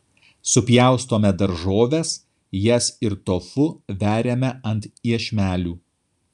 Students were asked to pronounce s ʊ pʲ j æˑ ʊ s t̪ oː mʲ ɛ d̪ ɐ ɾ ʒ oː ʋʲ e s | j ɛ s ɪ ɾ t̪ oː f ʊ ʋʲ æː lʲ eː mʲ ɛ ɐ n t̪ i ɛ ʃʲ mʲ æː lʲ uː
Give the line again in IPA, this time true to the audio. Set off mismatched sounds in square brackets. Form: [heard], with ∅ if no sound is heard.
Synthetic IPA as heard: s ʊ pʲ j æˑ ʊ s t̪ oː mʲ ɛ d̪ ɐ ɾ ʒ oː ʋʲ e s | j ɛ s ɪ ɾ t̪ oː f ʊ ʋʲ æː [ɾʲ] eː mʲ ɛ ɐ n t̪ i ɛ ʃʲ mʲ æː lʲ uː